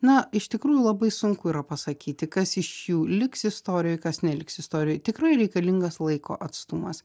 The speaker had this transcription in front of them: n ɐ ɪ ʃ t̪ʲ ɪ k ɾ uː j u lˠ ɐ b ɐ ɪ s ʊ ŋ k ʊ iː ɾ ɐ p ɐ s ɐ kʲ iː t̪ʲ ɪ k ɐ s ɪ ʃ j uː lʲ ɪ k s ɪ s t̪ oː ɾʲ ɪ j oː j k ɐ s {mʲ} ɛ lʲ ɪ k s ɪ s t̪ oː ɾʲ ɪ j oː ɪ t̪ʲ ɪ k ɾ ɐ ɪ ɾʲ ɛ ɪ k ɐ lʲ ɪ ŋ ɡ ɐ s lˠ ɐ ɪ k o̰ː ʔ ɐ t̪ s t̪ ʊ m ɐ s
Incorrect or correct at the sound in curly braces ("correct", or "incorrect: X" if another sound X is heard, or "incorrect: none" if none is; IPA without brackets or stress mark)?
incorrect: nʲ